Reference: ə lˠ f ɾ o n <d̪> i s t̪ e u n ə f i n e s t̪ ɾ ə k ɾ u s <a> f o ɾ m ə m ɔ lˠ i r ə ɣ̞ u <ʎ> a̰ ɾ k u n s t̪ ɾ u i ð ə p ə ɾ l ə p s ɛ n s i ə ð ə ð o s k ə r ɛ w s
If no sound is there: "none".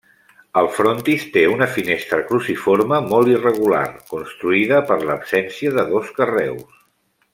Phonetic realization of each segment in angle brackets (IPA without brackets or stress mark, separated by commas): t̪, i, l